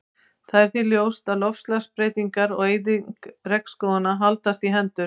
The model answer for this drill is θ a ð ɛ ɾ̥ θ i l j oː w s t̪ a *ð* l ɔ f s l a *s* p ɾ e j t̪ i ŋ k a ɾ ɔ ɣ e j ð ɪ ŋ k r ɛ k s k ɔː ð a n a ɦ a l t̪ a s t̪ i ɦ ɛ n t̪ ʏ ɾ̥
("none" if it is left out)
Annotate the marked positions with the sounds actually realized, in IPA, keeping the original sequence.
ð, s

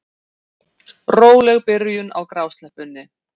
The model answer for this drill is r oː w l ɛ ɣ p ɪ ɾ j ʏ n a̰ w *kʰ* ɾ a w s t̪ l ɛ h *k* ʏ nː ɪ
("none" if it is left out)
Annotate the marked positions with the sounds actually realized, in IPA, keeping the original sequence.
k, p

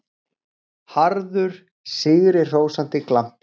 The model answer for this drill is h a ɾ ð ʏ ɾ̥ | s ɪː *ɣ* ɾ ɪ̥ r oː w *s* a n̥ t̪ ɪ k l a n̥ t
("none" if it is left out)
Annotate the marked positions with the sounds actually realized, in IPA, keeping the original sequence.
ɣ, s

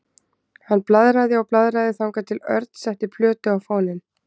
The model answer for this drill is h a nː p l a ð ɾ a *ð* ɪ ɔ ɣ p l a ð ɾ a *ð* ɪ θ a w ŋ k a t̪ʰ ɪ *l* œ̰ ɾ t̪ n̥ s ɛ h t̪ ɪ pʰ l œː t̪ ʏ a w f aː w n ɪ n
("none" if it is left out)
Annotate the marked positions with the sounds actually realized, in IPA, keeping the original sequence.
ð, ð, l

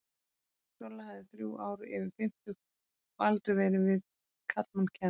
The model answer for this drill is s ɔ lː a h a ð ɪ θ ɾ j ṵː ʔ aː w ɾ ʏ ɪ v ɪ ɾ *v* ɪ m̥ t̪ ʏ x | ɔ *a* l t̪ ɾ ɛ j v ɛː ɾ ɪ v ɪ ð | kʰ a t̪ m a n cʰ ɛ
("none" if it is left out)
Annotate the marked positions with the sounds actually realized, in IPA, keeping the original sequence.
f, a

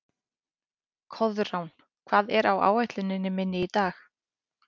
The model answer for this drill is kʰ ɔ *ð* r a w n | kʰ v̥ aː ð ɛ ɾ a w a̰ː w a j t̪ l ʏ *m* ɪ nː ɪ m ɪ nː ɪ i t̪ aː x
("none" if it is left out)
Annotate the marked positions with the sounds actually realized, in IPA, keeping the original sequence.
ð, n

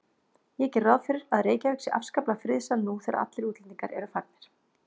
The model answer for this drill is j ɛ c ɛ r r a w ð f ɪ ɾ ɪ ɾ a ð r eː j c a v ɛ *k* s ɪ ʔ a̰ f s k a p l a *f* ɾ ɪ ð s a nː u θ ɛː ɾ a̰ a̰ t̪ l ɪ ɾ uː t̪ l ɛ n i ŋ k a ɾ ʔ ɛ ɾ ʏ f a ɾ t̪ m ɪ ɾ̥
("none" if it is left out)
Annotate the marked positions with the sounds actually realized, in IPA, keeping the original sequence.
k, f

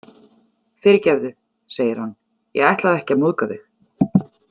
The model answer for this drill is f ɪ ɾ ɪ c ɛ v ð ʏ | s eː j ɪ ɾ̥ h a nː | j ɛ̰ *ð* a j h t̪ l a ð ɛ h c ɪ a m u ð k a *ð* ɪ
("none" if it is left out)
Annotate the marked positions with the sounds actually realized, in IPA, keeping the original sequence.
ɣ, ð

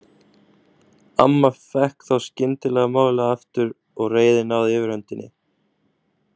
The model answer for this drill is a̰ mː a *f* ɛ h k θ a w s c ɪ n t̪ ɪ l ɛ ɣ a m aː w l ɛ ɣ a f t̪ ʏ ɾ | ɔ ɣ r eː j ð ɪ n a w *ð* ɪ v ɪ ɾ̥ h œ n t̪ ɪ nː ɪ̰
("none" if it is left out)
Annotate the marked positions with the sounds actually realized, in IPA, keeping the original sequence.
f, ð

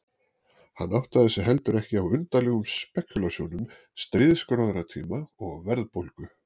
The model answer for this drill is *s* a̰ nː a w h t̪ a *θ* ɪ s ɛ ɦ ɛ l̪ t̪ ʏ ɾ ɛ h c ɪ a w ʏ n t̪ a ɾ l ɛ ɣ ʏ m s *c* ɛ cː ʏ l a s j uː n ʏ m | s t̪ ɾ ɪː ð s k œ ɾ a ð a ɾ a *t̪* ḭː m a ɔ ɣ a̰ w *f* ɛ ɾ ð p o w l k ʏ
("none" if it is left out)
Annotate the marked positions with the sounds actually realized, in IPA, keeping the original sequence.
h, ð, p, t̪ʰ, v

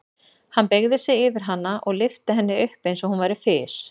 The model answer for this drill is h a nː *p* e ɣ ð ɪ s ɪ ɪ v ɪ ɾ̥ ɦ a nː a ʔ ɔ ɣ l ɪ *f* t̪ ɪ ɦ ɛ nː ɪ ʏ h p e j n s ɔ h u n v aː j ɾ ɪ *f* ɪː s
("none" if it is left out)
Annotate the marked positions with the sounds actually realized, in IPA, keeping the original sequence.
p, f, f

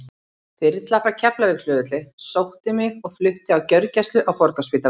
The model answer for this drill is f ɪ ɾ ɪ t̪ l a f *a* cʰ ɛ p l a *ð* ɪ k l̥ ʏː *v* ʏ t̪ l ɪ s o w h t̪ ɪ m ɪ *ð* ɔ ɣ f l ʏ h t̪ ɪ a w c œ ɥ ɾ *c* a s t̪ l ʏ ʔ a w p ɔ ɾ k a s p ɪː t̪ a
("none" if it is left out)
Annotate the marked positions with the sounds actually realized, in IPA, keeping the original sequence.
a, v, ð, ɣ, c

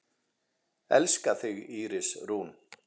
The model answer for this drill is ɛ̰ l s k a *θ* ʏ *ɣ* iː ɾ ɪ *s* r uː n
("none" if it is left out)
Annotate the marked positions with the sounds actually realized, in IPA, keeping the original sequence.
θ, ɣ, s

